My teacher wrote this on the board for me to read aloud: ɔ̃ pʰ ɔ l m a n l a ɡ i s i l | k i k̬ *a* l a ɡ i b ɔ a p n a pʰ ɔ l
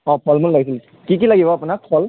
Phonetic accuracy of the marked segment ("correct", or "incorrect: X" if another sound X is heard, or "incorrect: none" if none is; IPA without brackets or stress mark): incorrect: i